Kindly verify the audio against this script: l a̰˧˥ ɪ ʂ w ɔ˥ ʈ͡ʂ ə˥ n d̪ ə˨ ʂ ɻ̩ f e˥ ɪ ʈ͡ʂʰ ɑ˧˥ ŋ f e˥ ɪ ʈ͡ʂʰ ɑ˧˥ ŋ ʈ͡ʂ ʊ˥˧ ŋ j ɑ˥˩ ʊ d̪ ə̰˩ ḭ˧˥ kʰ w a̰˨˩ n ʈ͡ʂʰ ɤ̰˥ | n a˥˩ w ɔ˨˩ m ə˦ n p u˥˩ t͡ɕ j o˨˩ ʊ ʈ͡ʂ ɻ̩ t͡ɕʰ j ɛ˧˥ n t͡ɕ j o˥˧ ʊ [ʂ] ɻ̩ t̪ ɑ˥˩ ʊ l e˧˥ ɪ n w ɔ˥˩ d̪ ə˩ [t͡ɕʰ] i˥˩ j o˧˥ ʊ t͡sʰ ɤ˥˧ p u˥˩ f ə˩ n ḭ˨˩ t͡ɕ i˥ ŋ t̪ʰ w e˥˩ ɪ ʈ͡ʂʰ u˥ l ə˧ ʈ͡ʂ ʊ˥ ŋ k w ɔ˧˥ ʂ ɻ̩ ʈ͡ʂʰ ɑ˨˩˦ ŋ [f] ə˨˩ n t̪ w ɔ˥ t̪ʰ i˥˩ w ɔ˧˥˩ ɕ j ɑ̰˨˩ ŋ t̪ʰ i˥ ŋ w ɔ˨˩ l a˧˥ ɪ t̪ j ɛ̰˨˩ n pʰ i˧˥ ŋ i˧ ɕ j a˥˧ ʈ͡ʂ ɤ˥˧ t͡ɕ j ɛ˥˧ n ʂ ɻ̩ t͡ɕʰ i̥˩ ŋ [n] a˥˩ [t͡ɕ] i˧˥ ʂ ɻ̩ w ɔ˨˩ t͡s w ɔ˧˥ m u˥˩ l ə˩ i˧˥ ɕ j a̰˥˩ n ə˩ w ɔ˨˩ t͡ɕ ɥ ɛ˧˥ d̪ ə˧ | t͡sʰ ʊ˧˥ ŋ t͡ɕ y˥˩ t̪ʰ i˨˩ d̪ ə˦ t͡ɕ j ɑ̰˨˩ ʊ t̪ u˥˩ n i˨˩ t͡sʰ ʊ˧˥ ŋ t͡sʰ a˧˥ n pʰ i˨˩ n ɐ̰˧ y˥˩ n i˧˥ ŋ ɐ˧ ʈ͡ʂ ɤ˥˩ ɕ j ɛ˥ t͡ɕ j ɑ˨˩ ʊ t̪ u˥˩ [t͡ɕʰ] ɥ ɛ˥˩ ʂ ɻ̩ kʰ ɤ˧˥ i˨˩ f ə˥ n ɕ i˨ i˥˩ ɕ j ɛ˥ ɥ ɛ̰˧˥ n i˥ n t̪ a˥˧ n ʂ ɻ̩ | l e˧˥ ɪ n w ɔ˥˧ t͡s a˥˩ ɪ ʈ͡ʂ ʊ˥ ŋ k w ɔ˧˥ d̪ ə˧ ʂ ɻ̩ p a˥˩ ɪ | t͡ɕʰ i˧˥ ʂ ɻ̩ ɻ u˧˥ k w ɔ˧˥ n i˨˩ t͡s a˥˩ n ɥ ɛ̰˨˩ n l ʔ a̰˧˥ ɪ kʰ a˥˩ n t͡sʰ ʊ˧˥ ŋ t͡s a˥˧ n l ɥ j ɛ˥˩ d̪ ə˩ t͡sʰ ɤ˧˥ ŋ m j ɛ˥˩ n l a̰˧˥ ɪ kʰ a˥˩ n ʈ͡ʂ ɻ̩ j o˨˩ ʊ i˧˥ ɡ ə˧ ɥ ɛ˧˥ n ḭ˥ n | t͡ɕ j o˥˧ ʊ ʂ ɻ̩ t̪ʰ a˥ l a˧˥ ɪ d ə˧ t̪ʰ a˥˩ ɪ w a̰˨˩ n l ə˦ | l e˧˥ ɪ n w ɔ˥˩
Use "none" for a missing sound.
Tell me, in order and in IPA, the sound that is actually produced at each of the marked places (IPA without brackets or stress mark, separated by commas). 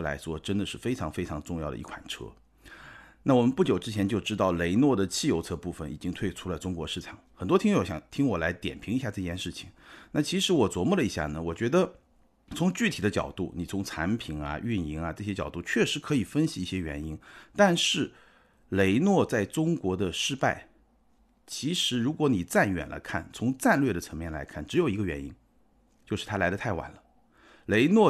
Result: ʈ͡ʂ, t͡ɕʰ, x, n, t͡ɕʰ, t͡ɕʰ